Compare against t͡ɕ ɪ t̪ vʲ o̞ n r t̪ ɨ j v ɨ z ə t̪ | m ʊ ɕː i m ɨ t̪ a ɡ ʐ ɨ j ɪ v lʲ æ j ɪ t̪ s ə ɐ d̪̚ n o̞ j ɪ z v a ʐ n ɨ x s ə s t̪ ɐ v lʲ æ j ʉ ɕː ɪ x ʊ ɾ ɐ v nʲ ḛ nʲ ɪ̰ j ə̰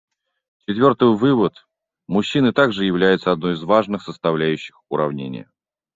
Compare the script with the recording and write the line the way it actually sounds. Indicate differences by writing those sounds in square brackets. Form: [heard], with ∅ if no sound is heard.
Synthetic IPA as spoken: t͡ɕ ɪ t̪ vʲ o̞ [∅] r t̪ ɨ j v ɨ [v] ə t̪ | m ʊ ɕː i [n] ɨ t̪ a ɡ ʐ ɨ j ɪ v lʲ æ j ɪ t̪ s ə ɐ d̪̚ n o̞ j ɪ z v a ʐ n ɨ x s ə s t̪ ɐ v lʲ æ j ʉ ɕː ɪ x ʊ ɾ ɐ v nʲ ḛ nʲ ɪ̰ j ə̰